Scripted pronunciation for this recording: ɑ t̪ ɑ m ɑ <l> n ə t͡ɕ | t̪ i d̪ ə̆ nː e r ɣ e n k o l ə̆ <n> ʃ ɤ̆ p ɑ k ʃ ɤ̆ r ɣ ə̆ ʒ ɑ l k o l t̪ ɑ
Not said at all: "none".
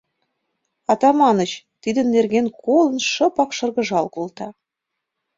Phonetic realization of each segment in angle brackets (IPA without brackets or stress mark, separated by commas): none, n